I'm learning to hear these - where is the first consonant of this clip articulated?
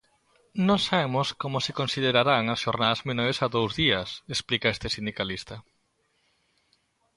tongue tip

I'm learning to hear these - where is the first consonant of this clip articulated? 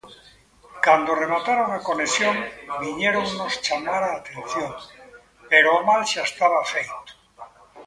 velum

